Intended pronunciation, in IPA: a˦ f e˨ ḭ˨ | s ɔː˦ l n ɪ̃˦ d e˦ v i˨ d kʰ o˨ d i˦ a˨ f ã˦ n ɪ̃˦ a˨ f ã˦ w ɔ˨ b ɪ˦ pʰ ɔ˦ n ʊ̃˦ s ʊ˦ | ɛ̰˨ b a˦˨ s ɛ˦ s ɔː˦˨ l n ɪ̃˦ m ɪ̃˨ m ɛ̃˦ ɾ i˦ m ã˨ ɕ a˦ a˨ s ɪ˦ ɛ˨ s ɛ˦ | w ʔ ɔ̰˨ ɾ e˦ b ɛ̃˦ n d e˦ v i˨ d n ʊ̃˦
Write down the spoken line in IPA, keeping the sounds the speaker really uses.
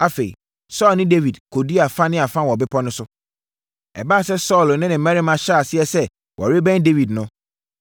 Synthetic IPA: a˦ f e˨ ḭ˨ | s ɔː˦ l n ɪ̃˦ d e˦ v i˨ d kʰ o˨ d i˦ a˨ f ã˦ n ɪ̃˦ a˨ f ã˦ w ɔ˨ b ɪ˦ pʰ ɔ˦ n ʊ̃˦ s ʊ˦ | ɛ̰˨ b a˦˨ s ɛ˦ s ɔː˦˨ l n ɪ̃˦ n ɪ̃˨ m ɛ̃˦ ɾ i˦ m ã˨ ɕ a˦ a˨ s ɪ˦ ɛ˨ s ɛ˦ | w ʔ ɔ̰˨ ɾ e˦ b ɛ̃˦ n d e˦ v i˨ d n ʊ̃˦